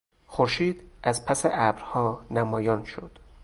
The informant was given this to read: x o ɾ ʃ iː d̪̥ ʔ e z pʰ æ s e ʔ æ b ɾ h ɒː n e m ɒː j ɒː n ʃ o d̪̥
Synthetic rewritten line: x o ɾ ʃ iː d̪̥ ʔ æ z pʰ æ s e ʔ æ b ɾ h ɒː n æ m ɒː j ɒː n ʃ o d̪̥